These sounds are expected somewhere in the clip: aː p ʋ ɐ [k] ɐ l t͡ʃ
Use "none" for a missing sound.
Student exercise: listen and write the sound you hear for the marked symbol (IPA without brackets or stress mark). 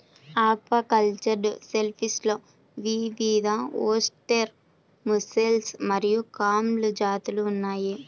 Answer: k